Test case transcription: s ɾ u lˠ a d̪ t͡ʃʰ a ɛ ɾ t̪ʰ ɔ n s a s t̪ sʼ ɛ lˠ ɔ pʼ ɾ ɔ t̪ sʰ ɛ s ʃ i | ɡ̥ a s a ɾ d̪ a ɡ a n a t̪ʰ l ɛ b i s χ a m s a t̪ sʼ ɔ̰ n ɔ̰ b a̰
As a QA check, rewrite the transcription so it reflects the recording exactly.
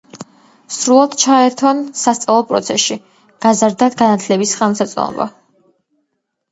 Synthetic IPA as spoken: s ɾ u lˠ a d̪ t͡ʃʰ a ɛ ɾ t̪ʰ ɔ n s a s t̪ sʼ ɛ lˠ ɔ pʼ ɾ ɔ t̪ sʰ ɛ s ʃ i | ɡ̥ a z a ɾ d̪ a ɡ a n a t̪ʰ l ɛ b i s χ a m s a t̪ sʼ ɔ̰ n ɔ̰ b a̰

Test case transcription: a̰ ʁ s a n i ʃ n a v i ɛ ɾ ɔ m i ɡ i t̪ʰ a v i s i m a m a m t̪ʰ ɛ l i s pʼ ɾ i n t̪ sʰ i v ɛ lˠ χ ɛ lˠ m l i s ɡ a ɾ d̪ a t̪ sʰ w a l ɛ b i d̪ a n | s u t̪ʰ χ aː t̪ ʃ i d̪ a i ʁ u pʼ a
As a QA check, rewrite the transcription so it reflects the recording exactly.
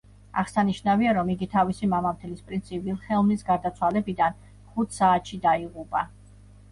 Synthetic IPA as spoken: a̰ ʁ s a n i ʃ n a v i a ɾ ɔ m i ɡ i t̪ʰ a v i s i m a m a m t̪ʰ ɛ l i s pʼ ɾ i n t̪ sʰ i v i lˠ χ ɛ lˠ m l i s ɡ a ɾ d̪ a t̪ sʰ w a l ɛ b i d̪ a n | χ u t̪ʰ s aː t̪ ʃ i d̪ a i ʁ u pʼ a

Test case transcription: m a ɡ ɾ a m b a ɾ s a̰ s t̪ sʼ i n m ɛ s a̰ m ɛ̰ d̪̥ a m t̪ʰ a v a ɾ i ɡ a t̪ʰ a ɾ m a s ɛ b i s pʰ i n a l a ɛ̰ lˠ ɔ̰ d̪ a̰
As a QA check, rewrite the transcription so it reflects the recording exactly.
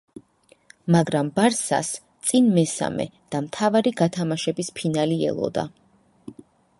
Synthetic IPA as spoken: m a ɡ ɾ a m b a ɾ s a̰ s t̪ sʼ i n m ɛ s a̰ m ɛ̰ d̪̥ a m t̪ʰ a v a ɾ i ɡ a t̪ʰ a m a ʃ ɛ b i s pʰ i n a l i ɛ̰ lˠ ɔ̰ d̪ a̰

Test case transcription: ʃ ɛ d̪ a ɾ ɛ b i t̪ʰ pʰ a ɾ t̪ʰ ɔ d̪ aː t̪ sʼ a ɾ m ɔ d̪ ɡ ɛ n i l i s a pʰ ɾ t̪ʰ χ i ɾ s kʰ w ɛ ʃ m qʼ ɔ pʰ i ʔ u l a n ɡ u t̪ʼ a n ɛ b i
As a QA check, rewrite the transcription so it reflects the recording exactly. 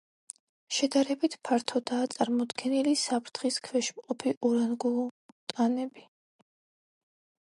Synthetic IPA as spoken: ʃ ɛ d̪ a ɾ ɛ b i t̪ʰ pʰ a ɾ t̪ʰ ɔ d̪ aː t̪ sʼ a ɾ m ɔ d̪ ɡ ɛ n i l i s a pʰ ɾ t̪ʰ χ i s kʰ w ɛ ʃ m qʼ ɔ pʰ i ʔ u ɾ a n ɡ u t̪ʼ a n ɛ b i

